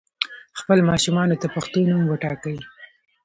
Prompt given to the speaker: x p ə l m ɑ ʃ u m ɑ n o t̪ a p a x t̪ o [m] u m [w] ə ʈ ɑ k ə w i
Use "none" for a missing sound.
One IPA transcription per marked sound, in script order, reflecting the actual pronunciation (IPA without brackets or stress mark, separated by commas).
n, w